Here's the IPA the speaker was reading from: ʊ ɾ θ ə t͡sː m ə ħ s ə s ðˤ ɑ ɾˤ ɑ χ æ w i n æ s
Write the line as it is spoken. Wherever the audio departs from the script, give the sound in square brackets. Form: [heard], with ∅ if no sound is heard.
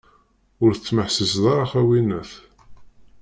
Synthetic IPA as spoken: ʊ ɾ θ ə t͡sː m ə ħ s ə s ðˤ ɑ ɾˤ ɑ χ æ w i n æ [θ]